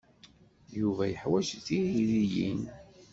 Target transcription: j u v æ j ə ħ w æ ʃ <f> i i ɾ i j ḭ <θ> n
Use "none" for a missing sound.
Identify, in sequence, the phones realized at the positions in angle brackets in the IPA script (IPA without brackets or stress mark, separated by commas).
θ, none